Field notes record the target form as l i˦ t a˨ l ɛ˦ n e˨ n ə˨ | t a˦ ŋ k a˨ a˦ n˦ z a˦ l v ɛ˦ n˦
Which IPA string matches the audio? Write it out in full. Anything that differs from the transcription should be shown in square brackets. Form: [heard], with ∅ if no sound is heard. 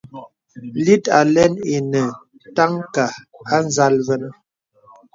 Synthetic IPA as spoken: l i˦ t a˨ l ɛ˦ n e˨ n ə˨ | t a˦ ŋ k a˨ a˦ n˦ z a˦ l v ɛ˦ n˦